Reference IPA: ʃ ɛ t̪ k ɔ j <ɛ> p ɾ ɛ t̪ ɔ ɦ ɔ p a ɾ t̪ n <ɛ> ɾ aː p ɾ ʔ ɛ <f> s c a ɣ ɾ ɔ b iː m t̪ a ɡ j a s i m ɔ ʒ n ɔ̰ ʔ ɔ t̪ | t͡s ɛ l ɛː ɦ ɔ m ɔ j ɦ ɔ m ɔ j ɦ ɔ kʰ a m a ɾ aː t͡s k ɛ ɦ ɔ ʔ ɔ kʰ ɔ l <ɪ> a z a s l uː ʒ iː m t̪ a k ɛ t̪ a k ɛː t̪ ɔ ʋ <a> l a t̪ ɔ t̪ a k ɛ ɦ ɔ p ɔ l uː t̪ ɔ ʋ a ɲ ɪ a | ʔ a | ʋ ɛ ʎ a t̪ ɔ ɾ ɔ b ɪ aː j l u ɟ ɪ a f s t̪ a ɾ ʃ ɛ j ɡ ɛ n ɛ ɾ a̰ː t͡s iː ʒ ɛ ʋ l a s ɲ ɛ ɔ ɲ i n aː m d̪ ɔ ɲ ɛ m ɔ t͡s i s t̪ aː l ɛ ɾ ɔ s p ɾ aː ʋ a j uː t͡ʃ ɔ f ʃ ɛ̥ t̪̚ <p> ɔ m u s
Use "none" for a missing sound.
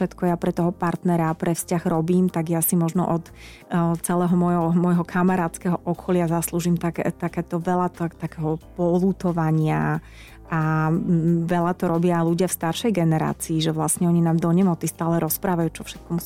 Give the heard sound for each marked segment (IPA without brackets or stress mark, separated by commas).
a, ɛ, f, ɪ, ɛ, k